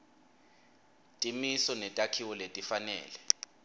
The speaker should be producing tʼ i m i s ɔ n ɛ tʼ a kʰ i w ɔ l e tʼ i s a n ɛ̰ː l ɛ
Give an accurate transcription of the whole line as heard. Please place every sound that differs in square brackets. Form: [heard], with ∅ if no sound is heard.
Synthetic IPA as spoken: tʼ i m i s ɔ n ɛ tʼ a kʰ i w ɔ l e tʼ i [f] a n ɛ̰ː l ɛ